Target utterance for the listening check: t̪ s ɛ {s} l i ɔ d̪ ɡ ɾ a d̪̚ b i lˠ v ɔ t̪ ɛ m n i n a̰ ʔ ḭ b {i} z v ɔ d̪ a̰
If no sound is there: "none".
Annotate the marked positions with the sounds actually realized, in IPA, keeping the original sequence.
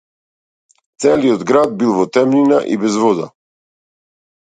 none, ɛ

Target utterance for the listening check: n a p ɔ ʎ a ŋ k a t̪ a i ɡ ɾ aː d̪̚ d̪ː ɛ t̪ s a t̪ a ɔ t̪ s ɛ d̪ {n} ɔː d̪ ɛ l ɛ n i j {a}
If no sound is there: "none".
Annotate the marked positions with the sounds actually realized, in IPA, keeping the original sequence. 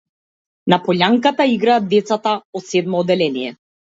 m, ɛ

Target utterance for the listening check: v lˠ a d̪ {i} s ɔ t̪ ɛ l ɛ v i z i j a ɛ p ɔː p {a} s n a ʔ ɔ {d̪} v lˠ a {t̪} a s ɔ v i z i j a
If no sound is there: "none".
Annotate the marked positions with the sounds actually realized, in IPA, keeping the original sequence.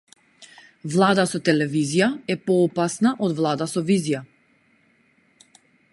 a, a, d̪, d̪

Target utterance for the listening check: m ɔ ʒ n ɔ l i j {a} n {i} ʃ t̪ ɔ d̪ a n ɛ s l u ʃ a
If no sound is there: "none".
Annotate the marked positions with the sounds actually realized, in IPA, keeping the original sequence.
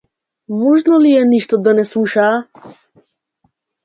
ɛ, i

